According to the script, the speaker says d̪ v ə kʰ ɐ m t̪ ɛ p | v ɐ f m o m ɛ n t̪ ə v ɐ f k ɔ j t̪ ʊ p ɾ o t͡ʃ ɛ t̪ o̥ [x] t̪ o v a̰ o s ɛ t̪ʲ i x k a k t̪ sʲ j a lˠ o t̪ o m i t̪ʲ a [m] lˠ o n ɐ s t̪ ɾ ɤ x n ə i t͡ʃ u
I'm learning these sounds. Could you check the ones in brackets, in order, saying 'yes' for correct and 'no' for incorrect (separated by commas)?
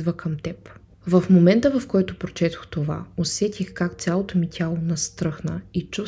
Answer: yes, no